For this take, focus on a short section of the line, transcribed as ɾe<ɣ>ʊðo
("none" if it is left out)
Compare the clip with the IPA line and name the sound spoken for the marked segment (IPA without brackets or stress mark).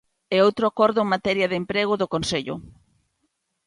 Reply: ɣ